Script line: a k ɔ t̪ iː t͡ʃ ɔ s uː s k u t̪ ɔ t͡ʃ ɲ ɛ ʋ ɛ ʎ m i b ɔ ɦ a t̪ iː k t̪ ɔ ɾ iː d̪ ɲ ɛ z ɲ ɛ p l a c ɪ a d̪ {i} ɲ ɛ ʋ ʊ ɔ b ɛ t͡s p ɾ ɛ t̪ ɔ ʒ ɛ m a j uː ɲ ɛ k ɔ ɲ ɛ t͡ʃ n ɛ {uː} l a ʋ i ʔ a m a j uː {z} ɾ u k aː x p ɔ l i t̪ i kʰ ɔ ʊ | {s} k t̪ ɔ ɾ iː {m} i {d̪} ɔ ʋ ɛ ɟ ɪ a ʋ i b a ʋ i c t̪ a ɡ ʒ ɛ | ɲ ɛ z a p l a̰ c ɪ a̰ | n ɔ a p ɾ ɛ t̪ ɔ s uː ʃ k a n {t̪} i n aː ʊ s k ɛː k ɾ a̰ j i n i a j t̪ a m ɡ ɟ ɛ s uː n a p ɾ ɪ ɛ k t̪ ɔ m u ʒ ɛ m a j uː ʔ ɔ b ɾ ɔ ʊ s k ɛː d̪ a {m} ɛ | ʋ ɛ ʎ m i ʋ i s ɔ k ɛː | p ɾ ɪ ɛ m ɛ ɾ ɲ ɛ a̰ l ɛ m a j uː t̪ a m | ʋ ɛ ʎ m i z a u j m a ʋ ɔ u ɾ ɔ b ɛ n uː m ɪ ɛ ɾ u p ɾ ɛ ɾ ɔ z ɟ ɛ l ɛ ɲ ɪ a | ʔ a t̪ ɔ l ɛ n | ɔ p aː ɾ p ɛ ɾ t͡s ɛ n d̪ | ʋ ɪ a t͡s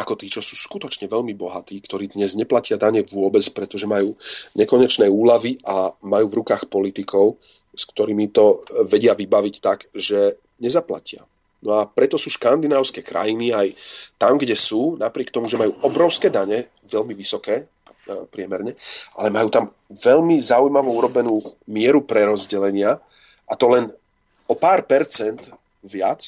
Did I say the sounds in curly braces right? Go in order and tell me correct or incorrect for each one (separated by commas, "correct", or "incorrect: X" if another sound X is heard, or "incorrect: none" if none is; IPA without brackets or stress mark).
incorrect: a, correct, incorrect: v, correct, correct, incorrect: t̪, incorrect: d̪, incorrect: ɲ